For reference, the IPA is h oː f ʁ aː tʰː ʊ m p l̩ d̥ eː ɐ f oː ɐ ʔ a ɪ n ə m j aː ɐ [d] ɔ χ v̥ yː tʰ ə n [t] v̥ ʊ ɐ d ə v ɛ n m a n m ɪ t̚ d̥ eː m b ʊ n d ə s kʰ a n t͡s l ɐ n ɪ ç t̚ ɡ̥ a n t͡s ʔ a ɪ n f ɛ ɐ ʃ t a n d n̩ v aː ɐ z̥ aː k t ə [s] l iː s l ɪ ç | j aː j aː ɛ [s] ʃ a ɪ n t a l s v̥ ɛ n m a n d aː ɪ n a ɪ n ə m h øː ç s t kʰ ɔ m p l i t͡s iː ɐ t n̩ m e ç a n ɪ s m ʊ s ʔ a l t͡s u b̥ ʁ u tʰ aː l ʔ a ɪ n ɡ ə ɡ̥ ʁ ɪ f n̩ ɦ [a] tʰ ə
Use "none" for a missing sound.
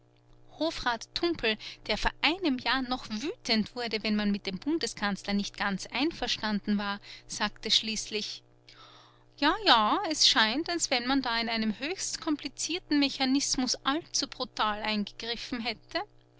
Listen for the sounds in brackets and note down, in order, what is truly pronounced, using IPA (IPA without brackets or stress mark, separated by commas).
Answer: n, t, ʃ, s, ɛ